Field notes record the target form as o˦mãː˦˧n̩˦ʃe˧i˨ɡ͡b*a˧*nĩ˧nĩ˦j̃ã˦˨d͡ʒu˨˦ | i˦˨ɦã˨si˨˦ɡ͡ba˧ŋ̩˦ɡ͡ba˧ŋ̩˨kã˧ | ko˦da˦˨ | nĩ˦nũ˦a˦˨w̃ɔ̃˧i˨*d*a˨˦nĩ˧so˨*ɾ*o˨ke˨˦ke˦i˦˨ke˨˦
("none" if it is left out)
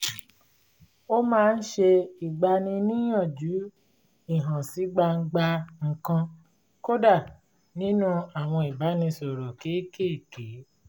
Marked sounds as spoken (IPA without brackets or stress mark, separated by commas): a˧, b, ɾ